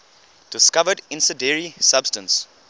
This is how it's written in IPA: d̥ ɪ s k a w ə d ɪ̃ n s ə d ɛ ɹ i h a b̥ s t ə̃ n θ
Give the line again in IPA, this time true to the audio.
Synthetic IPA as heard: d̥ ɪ s k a v ə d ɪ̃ n s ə d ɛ ɹ i s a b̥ s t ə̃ n s